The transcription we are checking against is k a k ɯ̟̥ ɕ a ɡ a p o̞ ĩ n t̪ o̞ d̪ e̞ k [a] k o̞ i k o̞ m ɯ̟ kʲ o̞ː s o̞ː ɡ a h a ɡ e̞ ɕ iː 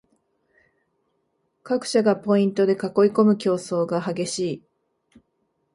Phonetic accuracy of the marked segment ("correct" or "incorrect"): correct